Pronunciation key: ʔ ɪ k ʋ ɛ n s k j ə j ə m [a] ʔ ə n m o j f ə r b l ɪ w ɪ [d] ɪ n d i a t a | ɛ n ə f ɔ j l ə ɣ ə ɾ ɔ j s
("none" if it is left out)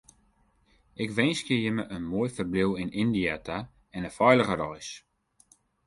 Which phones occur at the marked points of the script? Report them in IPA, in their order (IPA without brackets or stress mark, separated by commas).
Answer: ə, n